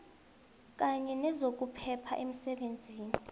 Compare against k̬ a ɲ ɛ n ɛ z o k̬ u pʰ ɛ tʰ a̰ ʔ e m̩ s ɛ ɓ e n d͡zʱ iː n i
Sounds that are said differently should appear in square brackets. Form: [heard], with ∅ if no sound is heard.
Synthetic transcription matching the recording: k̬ a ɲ ɛ n ɛ z o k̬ u pʰ ɛ [pʰ] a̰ ʔ e m̩ s ɛ ɓ e n d͡zʱ iː n i